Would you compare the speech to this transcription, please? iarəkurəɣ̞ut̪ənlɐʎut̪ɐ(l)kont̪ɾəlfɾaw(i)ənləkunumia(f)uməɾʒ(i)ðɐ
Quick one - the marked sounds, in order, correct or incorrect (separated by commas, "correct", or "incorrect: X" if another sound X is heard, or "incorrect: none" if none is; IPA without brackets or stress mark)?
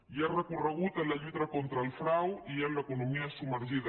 incorrect: none, correct, incorrect: s, correct